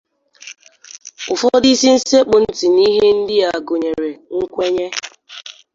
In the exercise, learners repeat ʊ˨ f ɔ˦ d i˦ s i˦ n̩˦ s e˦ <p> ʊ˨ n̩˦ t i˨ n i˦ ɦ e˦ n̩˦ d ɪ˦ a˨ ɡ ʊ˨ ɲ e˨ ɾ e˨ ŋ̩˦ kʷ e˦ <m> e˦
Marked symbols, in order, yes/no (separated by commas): no, no